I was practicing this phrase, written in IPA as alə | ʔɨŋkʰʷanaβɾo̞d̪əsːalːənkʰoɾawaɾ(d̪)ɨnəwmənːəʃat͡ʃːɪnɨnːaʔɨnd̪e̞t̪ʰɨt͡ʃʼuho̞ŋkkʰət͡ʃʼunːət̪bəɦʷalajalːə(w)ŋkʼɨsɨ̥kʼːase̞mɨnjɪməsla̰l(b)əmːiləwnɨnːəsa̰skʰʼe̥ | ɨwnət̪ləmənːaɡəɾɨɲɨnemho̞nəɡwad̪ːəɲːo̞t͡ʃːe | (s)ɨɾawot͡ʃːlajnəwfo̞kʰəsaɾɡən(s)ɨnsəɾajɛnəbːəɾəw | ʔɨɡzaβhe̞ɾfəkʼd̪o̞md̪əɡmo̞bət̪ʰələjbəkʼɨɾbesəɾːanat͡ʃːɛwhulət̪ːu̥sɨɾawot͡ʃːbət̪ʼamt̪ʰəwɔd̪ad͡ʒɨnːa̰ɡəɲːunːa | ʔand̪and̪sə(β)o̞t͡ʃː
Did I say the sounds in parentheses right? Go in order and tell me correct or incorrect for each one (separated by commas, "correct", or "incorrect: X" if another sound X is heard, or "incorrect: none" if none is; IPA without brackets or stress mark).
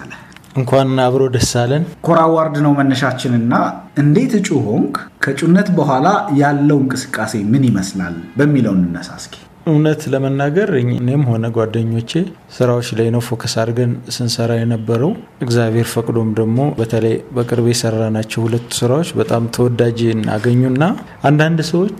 correct, correct, correct, correct, correct, incorrect: w